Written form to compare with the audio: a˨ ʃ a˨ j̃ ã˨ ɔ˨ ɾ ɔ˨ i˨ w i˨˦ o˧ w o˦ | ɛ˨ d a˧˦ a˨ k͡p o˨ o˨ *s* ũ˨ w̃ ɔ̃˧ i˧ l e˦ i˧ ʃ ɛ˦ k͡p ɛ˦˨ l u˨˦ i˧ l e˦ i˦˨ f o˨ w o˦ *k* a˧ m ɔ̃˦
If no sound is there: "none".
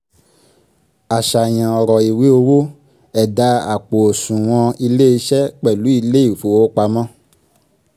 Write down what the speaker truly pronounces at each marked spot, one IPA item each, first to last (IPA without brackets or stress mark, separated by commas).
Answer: s, k͡p